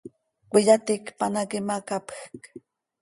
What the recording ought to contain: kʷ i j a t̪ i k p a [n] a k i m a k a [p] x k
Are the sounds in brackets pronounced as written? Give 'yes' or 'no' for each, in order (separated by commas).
yes, yes